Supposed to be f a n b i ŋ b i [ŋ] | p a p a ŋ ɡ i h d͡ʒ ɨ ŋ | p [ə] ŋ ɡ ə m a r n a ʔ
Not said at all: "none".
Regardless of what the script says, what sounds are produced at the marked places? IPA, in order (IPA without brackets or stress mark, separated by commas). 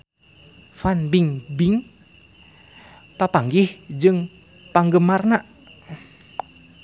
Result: ŋ, a